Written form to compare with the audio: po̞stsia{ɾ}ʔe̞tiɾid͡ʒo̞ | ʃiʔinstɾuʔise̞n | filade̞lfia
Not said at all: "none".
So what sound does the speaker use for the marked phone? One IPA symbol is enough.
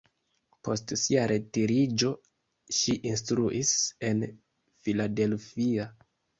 ɾ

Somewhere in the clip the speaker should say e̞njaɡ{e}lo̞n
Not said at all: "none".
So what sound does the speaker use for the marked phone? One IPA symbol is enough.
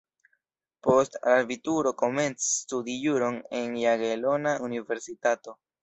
e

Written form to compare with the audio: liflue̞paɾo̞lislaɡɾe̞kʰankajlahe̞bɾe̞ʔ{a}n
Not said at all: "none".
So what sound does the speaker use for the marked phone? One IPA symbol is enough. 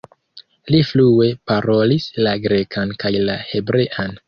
a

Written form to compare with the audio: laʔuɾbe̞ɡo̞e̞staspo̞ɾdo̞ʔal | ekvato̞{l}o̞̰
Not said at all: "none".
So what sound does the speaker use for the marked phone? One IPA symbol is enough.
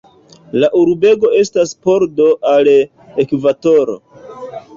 ɾ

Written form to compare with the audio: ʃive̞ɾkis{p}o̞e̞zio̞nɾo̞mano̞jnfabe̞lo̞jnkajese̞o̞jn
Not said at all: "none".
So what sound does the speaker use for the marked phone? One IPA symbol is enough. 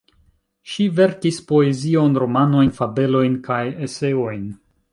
p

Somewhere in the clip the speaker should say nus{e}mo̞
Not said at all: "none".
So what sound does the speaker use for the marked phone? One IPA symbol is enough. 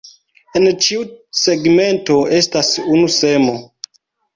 e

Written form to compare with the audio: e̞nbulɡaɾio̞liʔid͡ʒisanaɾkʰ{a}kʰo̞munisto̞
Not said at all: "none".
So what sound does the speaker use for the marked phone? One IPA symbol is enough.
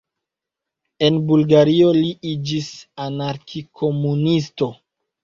i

